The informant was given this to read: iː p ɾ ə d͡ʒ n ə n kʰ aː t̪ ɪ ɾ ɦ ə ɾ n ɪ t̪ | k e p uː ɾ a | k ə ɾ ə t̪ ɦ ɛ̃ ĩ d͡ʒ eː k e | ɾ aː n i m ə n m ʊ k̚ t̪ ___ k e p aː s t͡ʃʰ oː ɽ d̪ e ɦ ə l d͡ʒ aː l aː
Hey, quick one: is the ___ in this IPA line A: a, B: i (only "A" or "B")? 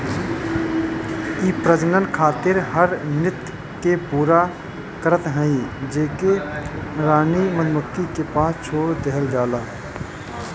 B